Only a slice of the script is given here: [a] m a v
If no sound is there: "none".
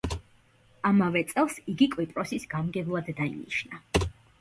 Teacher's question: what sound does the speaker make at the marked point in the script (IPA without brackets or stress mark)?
a